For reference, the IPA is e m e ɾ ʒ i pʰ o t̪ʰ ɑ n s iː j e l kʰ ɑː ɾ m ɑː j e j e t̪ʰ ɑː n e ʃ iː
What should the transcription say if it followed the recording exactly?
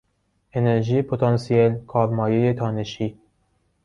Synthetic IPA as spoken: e n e ɾ ʒ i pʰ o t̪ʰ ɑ n s i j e l kʰ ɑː ɾ m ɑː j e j e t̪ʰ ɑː n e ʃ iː